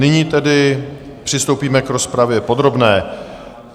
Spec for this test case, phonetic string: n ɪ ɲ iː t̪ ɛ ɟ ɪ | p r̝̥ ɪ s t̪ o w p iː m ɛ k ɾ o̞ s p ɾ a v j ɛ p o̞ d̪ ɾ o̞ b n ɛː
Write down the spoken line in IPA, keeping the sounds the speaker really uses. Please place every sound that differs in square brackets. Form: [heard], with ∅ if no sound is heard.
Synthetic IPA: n ɪ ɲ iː t̪ ɛ [d] ɪ | p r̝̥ ɪ s t̪ o w p iː m ɛ k ɾ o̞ s p ɾ a v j ɛ p o̞ d̪ ɾ o̞ b n ɛː